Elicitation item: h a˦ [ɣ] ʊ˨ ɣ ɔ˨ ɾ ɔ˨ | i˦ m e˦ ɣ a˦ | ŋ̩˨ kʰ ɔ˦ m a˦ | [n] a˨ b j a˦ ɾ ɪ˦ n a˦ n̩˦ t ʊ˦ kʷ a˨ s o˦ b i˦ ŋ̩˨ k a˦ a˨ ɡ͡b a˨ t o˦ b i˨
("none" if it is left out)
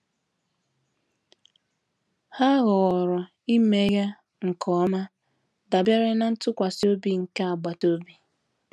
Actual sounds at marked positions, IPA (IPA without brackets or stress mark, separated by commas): ɣ, d